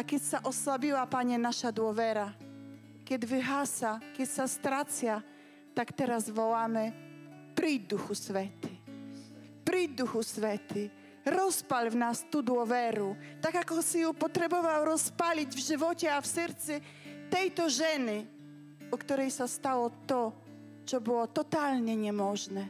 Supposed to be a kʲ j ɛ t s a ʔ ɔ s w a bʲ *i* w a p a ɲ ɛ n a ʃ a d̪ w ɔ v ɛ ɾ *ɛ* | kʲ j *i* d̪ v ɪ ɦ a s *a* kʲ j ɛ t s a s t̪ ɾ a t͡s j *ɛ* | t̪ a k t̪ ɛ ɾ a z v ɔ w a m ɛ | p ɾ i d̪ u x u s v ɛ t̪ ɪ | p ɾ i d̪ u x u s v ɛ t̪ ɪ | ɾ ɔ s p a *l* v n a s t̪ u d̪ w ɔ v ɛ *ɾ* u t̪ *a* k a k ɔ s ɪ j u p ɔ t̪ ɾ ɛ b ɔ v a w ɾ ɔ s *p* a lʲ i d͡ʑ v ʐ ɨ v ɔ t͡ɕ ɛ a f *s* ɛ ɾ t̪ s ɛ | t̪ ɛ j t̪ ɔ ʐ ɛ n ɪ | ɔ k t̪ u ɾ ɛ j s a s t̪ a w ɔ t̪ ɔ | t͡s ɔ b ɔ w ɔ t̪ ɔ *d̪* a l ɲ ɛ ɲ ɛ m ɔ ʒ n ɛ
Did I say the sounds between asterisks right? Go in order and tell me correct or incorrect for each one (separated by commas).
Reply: correct, incorrect, incorrect, correct, incorrect, correct, correct, correct, correct, correct, incorrect